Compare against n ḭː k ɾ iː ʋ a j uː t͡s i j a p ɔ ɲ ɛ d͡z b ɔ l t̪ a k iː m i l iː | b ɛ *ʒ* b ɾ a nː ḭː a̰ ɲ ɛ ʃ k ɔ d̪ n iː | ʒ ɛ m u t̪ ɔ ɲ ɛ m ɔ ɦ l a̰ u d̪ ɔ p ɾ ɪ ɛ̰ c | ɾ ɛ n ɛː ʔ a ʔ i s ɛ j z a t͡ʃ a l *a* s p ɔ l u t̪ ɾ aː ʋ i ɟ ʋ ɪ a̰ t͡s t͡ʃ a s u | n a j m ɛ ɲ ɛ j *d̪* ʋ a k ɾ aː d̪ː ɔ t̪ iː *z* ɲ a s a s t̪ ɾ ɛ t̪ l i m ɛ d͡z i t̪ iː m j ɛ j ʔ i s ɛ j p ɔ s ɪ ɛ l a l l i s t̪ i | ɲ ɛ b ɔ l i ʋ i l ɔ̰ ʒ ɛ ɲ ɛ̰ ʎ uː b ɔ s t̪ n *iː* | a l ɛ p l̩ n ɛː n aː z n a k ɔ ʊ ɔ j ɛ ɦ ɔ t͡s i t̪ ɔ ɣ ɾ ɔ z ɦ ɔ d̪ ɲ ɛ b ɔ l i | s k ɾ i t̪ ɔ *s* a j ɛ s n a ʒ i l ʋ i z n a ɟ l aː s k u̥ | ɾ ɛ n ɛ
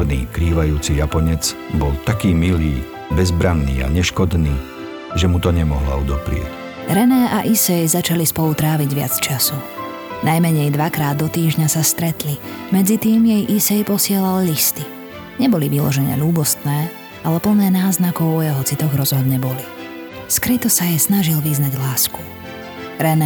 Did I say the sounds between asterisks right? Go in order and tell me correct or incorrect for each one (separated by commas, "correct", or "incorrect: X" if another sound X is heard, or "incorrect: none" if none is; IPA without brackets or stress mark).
incorrect: z, incorrect: i, correct, incorrect: ʒ, incorrect: ɛː, correct